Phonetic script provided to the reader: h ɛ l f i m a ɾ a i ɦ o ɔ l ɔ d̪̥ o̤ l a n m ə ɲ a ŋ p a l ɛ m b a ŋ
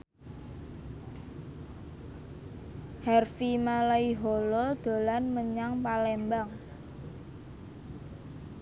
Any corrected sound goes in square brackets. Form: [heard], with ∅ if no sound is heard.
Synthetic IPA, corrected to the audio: h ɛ [r] f i m a [l] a i ɦ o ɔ l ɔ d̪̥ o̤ l a n m ə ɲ a ŋ p a l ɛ m b a ŋ